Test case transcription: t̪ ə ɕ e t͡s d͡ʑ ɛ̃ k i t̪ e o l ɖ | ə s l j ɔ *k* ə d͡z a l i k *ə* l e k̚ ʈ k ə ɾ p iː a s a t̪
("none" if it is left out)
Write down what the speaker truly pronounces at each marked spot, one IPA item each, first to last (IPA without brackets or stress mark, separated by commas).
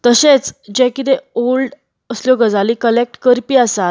ɡ, ə